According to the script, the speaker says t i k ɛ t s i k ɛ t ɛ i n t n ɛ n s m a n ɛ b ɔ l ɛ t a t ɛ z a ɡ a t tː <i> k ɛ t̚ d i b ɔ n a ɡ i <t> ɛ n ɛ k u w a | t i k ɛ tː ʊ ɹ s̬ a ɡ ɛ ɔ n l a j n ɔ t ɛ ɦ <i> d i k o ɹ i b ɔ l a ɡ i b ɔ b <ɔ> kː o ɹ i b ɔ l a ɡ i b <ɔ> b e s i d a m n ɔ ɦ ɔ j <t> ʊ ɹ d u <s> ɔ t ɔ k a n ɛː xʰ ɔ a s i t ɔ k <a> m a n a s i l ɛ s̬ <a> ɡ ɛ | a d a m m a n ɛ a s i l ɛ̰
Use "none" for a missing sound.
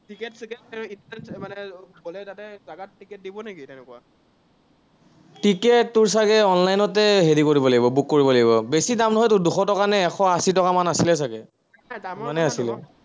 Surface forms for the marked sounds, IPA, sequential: i, t, e, u, ɔ, t, x, a, a

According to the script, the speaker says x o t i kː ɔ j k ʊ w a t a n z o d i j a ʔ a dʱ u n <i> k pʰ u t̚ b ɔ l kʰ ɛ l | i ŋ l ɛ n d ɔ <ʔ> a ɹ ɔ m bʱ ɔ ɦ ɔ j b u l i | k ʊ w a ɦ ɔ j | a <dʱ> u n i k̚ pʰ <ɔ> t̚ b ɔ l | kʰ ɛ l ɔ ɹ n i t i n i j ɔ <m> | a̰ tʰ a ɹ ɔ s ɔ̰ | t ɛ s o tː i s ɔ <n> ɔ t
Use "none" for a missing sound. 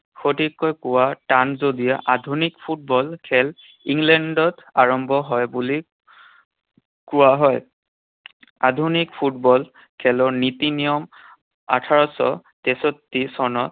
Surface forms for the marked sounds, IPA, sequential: i, t, dʱ, u, m, n

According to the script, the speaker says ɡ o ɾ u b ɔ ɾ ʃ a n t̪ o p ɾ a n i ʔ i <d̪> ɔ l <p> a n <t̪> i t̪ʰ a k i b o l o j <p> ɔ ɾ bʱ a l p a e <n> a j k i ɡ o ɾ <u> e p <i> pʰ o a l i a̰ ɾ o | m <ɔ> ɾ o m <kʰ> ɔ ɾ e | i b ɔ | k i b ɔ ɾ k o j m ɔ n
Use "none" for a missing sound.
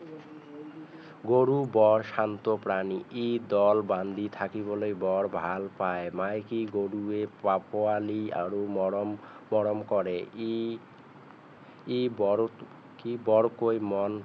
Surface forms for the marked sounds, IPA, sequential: d̪, b, d̪, b, m, u, a, ɔ, k

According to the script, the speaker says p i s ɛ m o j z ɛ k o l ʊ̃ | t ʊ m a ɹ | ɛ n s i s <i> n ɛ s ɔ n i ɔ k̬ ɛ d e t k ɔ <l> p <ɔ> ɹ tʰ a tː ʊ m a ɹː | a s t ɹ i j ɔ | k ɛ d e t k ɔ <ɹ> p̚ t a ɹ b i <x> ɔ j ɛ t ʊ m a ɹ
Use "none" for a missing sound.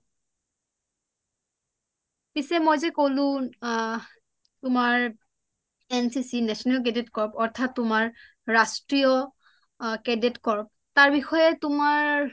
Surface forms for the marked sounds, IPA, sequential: i, ɹ, ɔ, ɹ, x

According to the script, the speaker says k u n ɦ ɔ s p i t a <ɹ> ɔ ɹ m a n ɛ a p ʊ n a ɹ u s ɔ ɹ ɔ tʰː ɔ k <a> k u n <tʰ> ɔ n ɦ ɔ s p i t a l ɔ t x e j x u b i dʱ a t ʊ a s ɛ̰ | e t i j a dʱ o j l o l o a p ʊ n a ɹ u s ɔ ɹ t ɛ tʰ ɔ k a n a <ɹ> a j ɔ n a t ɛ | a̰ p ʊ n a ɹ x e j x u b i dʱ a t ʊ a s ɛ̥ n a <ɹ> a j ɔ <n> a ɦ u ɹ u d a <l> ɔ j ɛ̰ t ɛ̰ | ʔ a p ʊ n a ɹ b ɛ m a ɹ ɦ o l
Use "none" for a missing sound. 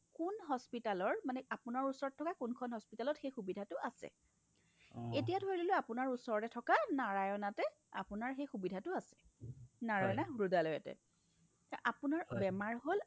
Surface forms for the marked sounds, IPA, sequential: l, a, kʰ, ɹ, ɹ, n, l

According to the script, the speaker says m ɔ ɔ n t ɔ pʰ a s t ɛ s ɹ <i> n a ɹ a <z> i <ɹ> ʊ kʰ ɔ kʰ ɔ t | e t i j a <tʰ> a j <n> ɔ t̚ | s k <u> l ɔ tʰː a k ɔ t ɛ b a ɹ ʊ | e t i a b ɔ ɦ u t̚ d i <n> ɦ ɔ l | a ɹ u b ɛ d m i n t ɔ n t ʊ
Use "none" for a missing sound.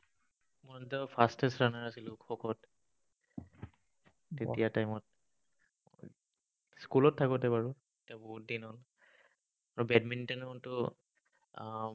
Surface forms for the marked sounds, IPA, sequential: a, s, l, t, m, u, n

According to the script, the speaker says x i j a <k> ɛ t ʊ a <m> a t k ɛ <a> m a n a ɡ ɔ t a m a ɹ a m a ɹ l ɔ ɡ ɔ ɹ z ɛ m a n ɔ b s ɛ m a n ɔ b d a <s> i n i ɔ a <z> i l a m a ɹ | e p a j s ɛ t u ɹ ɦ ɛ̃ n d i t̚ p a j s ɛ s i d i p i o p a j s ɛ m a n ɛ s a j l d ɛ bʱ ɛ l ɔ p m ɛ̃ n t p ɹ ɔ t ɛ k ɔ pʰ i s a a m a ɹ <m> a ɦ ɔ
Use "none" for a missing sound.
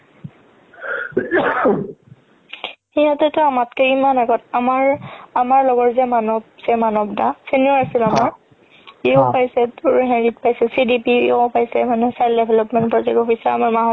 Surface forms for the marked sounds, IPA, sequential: t, m, i, s, s, m

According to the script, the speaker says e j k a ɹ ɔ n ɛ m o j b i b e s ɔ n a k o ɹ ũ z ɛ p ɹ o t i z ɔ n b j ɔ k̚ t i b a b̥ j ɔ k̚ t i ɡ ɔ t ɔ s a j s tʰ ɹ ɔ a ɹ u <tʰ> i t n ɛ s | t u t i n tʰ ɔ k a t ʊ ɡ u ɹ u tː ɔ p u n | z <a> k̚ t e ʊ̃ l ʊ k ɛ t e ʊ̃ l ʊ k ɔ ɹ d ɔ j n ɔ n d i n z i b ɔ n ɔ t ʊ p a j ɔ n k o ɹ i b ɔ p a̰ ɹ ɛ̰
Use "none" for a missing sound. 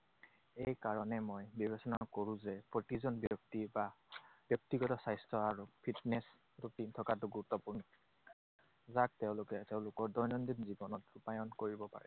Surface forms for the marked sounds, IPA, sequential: pʰ, a

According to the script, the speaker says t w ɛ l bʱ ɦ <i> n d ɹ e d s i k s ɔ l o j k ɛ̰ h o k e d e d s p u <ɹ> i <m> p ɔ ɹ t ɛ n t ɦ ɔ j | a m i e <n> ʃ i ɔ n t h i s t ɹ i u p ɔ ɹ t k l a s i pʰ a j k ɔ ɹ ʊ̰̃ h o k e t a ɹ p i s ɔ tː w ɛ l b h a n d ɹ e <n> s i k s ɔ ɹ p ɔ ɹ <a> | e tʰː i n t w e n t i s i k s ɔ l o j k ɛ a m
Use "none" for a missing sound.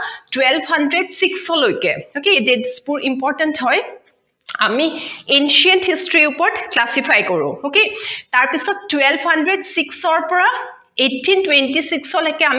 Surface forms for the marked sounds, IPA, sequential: a, ɹ, m, n, d, a

